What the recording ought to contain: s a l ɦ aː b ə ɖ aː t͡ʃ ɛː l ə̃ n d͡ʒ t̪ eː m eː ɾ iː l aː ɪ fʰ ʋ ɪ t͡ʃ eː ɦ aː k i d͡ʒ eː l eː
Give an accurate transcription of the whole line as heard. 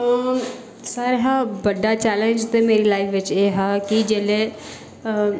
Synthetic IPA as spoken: s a ɾ ɦ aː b ə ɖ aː t͡ʃ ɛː l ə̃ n d͡ʒ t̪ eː m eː ɾ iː l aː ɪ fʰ ʋ ɪ t͡ʃ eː ɦ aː k i d͡ʒ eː l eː